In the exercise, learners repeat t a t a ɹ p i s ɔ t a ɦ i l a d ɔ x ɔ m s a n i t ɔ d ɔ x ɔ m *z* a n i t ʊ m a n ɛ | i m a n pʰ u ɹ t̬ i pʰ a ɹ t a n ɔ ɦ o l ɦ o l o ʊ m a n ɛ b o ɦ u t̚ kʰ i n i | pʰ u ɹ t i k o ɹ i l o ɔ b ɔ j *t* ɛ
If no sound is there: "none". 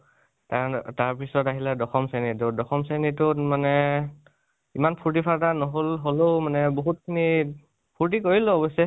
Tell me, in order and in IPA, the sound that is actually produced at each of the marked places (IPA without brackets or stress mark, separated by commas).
s, s